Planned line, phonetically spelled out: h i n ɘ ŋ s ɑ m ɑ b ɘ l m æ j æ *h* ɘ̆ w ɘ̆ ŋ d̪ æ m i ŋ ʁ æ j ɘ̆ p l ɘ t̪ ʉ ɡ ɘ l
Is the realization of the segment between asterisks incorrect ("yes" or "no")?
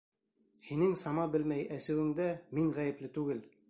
yes